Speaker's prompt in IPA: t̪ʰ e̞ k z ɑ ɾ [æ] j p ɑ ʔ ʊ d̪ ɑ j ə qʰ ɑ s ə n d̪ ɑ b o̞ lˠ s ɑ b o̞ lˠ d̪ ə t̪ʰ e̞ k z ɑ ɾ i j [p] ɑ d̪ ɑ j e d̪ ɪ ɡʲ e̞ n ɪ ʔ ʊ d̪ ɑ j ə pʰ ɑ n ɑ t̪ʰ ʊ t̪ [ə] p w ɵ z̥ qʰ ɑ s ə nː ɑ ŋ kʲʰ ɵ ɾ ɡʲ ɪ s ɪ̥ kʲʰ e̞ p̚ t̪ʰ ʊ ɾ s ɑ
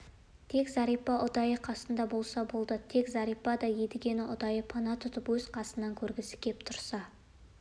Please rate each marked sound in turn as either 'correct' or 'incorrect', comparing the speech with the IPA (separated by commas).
incorrect, correct, correct